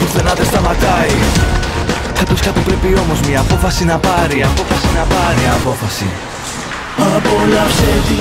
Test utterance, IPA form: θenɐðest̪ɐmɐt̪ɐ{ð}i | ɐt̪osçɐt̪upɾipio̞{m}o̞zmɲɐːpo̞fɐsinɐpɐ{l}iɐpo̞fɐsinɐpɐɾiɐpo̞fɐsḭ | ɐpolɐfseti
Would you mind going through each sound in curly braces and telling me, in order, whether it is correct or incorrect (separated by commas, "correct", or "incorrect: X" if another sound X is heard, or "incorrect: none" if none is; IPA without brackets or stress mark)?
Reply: incorrect: none, correct, incorrect: ɾ